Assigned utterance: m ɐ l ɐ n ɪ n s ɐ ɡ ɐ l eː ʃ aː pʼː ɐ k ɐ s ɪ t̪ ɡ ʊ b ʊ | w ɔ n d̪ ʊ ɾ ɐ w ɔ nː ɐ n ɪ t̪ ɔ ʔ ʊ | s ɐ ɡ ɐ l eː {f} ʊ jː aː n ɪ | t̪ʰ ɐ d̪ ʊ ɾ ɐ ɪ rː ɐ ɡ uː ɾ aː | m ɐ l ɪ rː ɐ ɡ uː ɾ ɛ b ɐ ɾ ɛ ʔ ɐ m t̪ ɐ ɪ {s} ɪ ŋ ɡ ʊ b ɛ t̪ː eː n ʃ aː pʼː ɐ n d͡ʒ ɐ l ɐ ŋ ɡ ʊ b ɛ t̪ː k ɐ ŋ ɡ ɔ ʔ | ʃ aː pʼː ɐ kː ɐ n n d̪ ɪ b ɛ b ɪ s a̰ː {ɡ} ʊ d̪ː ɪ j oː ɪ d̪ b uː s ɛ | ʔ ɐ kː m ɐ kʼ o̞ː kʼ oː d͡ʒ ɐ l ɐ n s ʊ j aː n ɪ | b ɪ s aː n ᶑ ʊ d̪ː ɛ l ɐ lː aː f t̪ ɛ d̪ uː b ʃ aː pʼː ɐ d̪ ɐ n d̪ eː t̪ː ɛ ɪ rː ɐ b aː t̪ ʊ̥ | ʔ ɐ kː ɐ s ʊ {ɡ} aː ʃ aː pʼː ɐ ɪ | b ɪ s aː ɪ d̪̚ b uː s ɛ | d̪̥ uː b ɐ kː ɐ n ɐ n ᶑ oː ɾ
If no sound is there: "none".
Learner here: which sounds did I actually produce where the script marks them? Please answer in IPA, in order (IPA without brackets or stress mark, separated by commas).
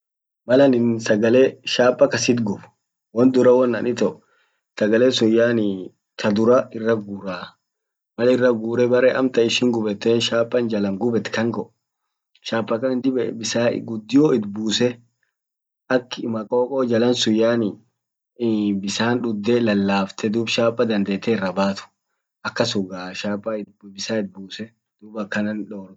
s, ʃ, ɡ, ɡ